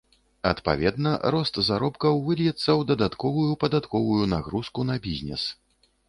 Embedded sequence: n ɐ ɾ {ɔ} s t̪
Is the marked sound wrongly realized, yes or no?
no